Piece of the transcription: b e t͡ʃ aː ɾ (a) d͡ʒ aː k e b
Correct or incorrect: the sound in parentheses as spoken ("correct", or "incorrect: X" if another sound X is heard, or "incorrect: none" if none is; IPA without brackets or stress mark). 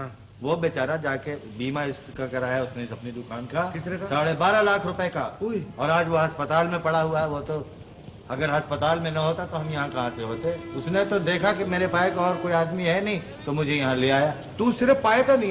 correct